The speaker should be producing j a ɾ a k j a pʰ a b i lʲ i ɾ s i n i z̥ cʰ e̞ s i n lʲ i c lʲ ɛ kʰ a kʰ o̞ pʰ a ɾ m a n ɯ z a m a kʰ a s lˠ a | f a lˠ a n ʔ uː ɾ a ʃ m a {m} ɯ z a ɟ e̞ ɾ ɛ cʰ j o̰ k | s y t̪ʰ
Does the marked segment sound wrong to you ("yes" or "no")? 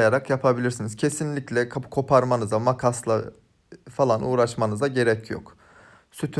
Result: yes